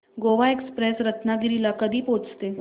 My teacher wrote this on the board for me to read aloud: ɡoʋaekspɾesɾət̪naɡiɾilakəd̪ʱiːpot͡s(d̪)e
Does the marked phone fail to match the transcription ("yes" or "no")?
yes